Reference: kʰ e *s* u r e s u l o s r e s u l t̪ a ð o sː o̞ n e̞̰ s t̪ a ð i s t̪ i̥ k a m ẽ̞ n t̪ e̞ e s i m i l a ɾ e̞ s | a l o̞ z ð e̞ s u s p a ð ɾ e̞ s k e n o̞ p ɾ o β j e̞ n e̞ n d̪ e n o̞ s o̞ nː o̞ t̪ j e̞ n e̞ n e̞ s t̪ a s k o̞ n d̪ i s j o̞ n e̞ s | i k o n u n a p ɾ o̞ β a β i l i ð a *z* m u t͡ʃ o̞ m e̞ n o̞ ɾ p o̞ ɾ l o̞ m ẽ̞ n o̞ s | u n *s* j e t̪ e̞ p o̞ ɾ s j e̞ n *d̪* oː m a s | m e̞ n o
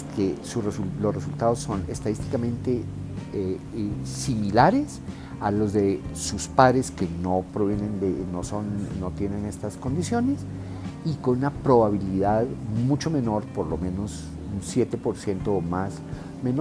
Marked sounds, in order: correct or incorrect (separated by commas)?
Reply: correct, incorrect, correct, incorrect